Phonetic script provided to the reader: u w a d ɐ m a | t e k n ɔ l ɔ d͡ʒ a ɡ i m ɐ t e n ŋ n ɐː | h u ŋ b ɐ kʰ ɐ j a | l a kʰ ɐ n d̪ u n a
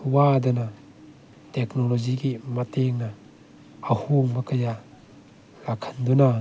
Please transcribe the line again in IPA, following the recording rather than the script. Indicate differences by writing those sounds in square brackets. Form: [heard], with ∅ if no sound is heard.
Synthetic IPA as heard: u w a d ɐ [n] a | t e k n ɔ l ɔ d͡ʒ [i] ɡ i m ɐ t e [∅] ŋ n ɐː | h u ŋ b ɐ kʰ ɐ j a | l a kʰ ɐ n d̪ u n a